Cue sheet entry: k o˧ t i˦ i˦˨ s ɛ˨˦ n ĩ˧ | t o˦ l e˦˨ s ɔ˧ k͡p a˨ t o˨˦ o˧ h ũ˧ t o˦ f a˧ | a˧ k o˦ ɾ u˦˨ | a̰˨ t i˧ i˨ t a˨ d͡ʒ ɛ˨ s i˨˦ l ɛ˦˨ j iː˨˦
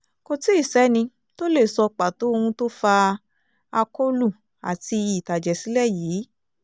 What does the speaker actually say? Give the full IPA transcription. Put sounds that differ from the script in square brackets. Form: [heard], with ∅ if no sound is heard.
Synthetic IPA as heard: k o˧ t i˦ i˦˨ s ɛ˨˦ n ĩ˧ | t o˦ l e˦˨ s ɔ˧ k͡p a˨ t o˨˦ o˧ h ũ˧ t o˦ f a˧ | a˧ k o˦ [l] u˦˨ | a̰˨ t i˧ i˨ t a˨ d͡ʒ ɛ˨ s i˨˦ l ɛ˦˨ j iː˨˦